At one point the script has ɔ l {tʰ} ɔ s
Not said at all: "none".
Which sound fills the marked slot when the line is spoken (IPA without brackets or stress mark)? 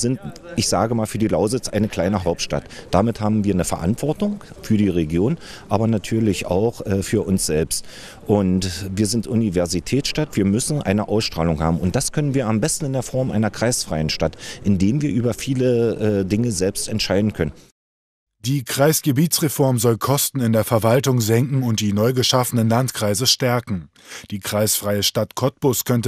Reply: kʰ